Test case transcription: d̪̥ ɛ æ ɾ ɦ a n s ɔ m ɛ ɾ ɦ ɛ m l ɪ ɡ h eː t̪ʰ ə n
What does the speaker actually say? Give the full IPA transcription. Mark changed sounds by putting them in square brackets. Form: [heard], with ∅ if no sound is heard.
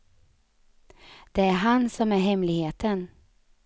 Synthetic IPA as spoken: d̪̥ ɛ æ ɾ ɦ a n s ɔ m [æ] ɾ ɦ ɛ m l ɪ ɡ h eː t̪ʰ ə n